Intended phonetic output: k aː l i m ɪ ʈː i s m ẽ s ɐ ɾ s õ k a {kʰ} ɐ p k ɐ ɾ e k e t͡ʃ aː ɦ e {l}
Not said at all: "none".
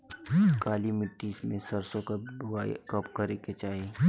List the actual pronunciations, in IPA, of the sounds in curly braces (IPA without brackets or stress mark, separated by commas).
k, none